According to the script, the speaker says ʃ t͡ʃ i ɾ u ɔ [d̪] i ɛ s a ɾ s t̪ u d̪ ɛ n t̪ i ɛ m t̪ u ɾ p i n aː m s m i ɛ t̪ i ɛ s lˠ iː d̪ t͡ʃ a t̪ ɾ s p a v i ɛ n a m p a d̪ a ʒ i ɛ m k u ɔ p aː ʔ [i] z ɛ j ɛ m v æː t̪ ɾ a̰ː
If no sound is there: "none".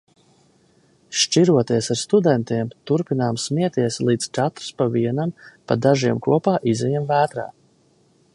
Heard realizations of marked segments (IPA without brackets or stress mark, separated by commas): t̪, i